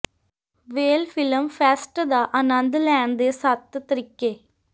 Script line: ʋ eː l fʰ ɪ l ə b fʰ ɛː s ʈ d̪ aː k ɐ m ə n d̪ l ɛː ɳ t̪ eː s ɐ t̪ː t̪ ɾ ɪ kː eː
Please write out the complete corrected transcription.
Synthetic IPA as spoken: ʋ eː l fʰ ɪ l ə m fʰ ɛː s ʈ d̪ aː ʔ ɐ n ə n d̪ l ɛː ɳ d̪ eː s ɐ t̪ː t̪ ɾ ɪ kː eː